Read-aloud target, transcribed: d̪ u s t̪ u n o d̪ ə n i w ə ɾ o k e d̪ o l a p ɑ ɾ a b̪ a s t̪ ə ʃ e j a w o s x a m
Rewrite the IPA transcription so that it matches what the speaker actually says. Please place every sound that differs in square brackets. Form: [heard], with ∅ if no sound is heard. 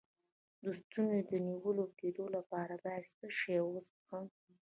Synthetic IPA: d̪ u s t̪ u n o d̪ ə n i w ə [l] o k e d̪ o l a p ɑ ɾ a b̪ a s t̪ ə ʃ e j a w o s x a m